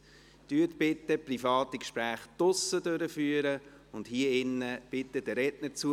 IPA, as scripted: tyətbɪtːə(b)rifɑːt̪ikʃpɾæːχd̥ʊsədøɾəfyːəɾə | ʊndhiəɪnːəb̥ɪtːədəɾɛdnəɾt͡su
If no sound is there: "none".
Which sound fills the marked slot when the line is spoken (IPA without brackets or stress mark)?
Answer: p